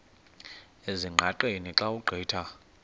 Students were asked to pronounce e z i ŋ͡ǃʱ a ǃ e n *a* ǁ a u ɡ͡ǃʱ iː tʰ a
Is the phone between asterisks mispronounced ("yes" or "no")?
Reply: yes